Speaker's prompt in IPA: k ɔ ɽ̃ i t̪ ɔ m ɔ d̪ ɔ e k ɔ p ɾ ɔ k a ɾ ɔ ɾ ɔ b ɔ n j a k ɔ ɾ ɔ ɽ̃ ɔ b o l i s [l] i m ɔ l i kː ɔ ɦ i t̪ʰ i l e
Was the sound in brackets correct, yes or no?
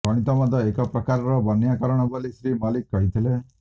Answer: no